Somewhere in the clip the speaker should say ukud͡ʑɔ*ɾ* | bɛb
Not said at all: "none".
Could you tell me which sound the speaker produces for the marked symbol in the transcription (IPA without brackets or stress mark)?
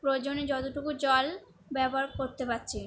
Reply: l